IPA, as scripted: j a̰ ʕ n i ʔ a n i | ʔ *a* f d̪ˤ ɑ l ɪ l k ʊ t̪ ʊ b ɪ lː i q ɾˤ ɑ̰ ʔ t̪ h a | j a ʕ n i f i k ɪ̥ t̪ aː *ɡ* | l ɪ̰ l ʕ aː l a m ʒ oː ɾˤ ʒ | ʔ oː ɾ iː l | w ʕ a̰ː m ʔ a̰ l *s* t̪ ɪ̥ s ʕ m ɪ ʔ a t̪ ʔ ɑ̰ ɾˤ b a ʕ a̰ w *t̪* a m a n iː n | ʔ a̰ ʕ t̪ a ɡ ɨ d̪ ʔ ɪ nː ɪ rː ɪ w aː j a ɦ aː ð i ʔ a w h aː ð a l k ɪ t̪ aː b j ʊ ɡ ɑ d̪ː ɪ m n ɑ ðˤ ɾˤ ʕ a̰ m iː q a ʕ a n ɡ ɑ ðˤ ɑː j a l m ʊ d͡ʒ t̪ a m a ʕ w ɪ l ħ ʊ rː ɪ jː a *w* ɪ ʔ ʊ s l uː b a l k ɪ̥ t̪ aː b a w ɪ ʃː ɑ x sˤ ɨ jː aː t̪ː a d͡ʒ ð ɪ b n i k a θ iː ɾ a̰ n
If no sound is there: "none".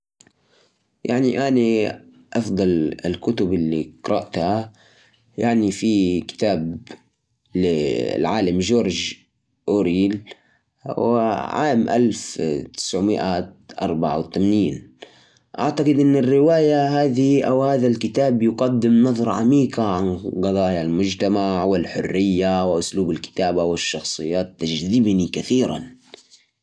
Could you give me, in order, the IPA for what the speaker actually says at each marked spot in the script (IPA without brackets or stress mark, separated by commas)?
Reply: ɑ, b, f, t̪, w